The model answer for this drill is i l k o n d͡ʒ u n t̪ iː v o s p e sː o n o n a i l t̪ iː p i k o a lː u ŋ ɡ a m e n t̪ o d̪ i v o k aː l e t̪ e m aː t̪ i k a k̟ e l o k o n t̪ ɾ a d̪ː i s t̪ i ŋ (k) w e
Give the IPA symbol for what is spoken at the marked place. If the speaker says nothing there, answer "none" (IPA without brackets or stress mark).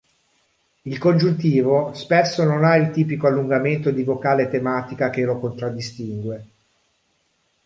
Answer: ɡ